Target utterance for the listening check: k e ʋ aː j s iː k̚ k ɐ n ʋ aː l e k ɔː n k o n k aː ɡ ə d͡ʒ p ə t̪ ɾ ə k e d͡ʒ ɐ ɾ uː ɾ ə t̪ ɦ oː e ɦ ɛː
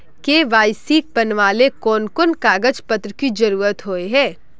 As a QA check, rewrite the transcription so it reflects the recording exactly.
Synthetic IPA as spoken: k e ʋ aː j s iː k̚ p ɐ n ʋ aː l e k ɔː n k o n k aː ɡ ə d͡ʒ p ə t̪ ɾ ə k i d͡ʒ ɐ ɾ uː ɾ ə t̪ ɦ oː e ɦ ɛː